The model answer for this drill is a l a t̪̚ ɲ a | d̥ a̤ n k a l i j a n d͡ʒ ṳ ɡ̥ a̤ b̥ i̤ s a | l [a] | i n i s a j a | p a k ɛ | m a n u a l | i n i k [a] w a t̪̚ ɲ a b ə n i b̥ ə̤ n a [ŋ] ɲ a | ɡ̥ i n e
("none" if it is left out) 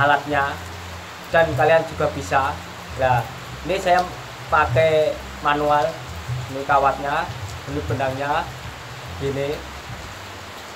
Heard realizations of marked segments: a, a, ŋ

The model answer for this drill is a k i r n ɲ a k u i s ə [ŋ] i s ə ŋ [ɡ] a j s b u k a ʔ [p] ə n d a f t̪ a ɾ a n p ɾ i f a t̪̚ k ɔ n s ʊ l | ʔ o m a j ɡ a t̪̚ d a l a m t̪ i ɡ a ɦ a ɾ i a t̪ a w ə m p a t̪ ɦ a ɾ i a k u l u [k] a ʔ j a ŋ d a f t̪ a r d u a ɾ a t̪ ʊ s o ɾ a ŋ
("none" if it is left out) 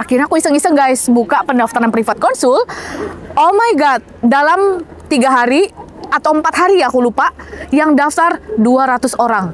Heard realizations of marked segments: ŋ, ɡ, p, p

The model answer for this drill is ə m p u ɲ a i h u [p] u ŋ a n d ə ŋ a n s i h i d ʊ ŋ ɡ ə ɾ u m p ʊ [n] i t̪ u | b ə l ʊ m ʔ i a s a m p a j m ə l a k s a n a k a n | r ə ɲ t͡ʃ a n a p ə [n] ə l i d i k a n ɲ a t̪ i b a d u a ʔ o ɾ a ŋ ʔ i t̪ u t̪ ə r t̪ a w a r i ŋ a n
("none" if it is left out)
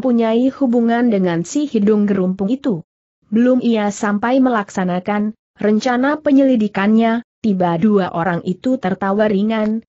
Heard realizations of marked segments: b, ŋ, ɲ

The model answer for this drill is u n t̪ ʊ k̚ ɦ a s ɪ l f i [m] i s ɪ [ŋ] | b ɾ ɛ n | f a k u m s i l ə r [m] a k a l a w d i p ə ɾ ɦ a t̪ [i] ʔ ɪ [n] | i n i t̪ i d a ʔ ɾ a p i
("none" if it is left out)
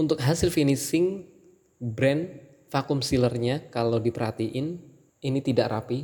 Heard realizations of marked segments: n, ŋ, ɲ, i, n

